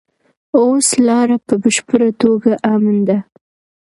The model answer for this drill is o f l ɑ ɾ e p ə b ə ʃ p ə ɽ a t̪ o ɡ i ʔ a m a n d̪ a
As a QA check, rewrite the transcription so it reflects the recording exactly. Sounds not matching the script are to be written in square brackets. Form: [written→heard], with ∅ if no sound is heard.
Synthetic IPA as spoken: o [f→s] l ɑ ɾ [e→a] p ə b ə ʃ p ə [ɽ→ɾ] a t̪ o ɡ [i→a] ʔ a m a n d̪ a